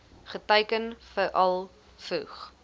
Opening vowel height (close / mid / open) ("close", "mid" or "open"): mid